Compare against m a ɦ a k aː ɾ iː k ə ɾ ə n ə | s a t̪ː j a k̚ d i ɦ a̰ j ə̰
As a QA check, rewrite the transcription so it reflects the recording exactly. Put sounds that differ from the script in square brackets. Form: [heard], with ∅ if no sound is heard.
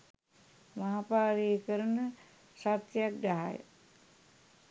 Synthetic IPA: m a ɦ a [p] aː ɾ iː k ə ɾ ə n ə | s a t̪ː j a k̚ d [a] ɦ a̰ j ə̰